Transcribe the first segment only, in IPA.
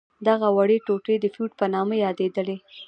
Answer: d̪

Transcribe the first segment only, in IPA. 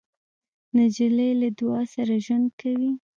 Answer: n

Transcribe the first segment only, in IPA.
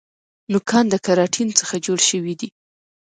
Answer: n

